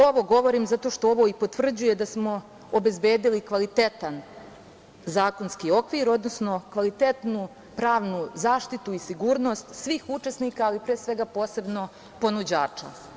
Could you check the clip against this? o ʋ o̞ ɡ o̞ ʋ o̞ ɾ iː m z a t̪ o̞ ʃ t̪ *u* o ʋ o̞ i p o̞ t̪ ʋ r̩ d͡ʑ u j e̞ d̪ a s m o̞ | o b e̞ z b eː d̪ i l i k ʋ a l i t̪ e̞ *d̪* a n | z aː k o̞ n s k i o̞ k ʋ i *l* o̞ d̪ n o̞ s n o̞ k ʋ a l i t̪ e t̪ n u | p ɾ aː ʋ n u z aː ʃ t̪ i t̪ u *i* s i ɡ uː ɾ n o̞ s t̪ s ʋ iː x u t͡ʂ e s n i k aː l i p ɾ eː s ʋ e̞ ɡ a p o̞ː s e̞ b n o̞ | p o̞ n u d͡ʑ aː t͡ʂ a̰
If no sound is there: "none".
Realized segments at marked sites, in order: o, t̪, ɾ, i

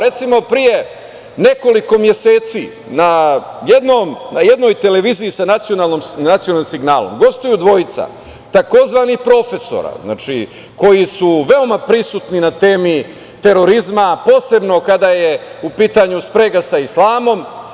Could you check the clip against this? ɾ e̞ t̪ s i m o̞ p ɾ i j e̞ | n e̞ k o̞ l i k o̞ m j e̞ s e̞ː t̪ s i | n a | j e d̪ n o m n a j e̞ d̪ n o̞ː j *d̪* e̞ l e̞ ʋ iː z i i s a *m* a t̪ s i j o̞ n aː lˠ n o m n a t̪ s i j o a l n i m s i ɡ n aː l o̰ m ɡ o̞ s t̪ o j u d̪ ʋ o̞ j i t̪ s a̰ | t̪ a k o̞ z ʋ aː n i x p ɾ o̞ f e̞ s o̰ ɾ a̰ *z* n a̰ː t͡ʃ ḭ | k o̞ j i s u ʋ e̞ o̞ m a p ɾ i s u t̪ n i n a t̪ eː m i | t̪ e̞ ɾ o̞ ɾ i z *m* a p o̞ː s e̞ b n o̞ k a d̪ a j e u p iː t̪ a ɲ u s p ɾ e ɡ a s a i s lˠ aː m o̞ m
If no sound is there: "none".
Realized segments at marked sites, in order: t̪, n, z, m

